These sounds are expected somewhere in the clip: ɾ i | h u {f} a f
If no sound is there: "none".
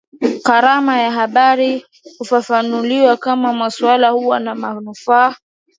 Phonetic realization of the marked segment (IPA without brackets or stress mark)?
f